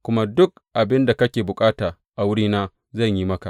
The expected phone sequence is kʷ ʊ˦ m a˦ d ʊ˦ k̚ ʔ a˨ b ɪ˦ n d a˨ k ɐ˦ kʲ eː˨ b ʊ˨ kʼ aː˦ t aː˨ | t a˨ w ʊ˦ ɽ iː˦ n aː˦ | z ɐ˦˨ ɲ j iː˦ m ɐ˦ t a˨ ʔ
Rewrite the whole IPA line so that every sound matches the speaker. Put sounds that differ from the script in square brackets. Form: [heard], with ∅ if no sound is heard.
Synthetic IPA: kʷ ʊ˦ m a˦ d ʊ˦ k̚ ʔ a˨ b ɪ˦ n d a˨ k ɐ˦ kʲ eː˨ b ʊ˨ kʼ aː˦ t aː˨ | [ʔ] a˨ w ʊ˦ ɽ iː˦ n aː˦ | z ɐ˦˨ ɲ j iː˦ m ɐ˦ [k] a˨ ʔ